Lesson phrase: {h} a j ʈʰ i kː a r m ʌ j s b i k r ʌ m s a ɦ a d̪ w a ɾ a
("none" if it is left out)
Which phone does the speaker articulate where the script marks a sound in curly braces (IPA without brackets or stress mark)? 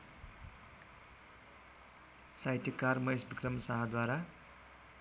s